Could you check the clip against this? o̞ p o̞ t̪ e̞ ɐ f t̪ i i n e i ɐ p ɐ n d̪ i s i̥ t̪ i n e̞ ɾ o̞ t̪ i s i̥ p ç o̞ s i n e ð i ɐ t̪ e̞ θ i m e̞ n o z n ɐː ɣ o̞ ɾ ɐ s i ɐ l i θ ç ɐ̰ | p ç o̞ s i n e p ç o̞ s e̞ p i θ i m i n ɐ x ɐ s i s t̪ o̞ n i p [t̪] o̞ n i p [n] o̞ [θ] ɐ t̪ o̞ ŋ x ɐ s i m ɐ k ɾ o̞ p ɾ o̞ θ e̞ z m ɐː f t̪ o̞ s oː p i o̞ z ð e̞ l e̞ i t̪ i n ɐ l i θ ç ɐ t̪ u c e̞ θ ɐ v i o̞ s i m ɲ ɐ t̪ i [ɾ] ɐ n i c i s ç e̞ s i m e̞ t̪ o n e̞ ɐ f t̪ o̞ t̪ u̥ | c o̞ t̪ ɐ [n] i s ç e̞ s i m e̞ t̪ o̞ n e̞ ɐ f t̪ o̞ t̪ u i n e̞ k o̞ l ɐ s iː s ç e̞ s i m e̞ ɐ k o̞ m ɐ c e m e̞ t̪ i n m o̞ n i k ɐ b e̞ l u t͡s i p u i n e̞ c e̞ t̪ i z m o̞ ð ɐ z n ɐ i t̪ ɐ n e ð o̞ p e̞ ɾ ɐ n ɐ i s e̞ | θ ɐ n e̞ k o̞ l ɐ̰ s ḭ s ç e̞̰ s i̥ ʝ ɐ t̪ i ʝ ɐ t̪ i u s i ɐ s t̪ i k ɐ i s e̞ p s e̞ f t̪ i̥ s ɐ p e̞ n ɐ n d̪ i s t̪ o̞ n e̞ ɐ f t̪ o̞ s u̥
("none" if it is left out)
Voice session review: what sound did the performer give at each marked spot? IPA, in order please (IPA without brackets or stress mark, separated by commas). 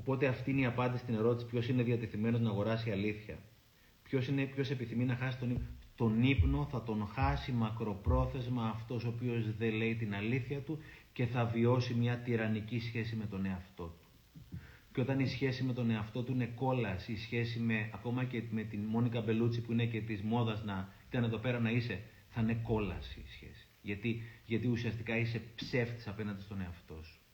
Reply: t̪, n, θ, ɾ, n